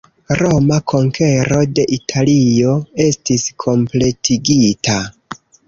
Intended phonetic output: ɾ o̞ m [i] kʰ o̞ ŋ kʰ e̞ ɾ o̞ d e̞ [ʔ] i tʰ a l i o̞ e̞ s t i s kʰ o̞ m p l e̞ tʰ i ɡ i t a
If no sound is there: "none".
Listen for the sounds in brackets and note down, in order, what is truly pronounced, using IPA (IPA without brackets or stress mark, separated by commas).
a, ʔ